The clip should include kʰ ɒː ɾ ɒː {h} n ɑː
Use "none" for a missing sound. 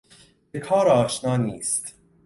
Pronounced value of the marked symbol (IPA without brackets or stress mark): ʃ